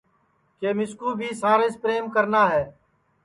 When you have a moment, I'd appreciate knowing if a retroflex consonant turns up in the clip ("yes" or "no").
no